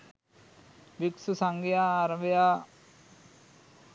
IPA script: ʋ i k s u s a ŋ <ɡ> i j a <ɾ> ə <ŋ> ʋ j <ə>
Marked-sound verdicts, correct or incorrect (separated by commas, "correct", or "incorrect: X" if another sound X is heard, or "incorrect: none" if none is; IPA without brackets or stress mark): correct, correct, incorrect: none, incorrect: a